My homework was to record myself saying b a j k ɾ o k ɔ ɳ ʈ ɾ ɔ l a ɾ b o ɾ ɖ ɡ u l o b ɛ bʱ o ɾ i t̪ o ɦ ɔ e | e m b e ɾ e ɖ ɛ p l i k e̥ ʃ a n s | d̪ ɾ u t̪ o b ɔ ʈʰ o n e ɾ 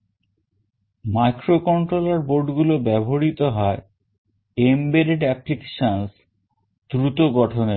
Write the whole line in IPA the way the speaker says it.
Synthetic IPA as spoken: m a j k ɾ o k ɔ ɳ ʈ ɾ o l a ɾ b o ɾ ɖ ɡ u l o b ɛ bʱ o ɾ i t̪ o ɦ ɔ e | e m b e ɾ e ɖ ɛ p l i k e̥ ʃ a n s | d̪ ɾ u t̪ o ɡ ɔ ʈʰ o n e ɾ